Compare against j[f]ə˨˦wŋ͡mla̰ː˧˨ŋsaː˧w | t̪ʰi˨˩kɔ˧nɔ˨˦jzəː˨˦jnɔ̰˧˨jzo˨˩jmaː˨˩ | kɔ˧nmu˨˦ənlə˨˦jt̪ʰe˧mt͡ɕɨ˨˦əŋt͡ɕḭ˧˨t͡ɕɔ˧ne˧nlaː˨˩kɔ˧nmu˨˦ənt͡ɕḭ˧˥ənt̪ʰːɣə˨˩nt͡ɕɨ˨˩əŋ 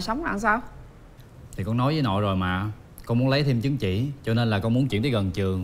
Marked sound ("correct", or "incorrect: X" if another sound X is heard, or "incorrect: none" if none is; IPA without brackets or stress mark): incorrect: s